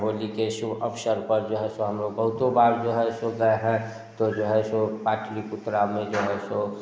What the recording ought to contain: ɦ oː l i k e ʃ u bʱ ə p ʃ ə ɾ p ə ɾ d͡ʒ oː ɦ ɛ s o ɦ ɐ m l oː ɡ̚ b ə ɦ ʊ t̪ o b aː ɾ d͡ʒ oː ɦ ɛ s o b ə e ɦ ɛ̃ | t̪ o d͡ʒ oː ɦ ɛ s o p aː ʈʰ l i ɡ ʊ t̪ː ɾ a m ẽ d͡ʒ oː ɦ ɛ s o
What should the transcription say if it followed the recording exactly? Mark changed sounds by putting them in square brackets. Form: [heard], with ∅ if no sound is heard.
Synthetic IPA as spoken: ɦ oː l i k e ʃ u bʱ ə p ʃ ə ɾ p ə ɾ d͡ʒ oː ɦ ɛ s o ɦ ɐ m l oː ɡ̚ b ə ɦ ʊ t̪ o b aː ɾ d͡ʒ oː ɦ ɛ s o [ɡ] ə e ɦ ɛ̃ | t̪ o d͡ʒ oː ɦ ɛ s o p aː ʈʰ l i [k] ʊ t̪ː ɾ a m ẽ d͡ʒ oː ɦ ɛ s o